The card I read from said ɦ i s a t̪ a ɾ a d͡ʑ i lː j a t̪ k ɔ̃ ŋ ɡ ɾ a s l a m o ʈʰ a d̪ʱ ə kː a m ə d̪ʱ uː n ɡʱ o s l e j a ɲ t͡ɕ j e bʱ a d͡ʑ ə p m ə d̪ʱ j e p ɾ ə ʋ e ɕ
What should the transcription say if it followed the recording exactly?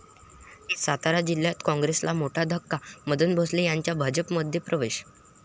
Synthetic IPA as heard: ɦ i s a t̪ a ɾ a d͡ʑ i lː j a t̪ k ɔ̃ ŋ ɡ ɾ e s l a m o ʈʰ a d̪ʱ ə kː a m ə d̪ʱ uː n bʱ o s l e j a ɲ t͡ɕ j a bʱ a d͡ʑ ə p m ə d̪ʱ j e p ɾ ə ʋ e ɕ

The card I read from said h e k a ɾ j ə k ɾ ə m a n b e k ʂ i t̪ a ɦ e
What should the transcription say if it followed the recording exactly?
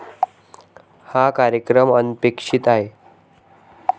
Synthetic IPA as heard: h a k a ɾ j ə k ɾ ə m ə n p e k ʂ i t̪ a ɦ e

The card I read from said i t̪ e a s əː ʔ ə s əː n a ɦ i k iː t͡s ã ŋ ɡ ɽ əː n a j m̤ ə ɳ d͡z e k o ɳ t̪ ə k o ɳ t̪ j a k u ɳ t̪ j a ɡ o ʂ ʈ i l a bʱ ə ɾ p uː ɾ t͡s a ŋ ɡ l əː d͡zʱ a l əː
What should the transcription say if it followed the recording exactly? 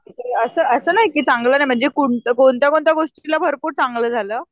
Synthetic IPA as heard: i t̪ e ə s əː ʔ ə s əː n a ɦ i k iː t͡s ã ŋ ɡ l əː n a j m̤ ə ɳ d͡z e k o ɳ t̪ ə k o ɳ t̪ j a k o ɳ t̪ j a ɡ o ʂ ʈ i l a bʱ ə ɾ p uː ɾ t͡s a ŋ ɡ l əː d͡zʱ a l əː

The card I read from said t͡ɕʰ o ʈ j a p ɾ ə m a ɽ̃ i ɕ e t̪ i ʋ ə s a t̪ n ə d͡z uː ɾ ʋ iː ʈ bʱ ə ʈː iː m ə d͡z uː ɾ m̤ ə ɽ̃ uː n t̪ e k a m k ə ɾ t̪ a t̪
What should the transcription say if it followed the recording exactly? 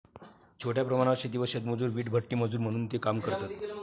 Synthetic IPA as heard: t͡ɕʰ o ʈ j a p ɾ ə m a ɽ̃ a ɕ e d̪ i ʋ ə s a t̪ m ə d͡z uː ɾ ʋ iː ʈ bʱ ə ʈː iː m ə d͡z uː ɾ m̤ ə ɽ̃ uː n t̪ e k a m k ə ɾ t̪ a t̪

